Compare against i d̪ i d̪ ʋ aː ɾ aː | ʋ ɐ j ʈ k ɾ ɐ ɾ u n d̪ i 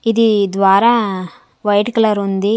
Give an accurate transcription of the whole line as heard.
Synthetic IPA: i d̪ i d̪ ʋ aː ɾ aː | ʋ ɐ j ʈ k l ɐ ɾ u n d̪ i